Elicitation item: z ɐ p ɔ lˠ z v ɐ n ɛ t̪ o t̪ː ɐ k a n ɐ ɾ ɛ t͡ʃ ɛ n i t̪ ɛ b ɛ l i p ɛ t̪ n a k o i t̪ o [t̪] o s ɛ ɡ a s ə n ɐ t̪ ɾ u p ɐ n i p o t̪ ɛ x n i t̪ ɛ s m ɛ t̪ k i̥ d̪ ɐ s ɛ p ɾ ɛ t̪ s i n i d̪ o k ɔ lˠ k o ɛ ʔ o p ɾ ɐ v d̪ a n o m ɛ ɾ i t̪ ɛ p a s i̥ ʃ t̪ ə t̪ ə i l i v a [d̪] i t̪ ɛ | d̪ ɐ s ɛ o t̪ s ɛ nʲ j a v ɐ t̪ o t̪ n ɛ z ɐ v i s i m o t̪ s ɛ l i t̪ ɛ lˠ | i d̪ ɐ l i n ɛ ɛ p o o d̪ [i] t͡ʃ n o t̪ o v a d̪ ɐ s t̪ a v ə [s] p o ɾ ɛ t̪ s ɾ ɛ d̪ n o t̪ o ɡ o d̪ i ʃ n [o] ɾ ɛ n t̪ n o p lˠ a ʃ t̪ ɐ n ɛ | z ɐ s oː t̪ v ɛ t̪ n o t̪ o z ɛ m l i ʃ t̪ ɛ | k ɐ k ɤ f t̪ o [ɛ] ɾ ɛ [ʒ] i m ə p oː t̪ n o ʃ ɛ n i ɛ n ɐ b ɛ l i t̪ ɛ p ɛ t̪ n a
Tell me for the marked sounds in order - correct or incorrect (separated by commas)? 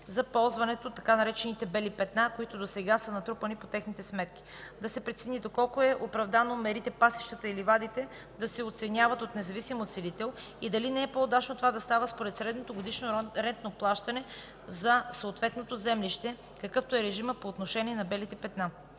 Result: incorrect, correct, incorrect, correct, correct, correct, correct